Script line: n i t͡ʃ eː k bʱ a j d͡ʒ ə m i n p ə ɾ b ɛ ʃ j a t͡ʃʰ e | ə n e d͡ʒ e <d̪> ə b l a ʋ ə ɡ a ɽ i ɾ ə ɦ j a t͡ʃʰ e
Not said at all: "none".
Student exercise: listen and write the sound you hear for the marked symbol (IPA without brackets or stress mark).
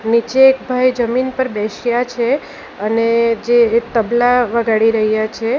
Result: t̪